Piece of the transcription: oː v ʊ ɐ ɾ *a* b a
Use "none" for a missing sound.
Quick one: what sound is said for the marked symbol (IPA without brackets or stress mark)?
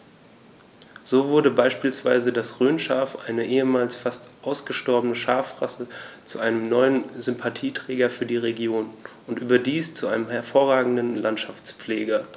ə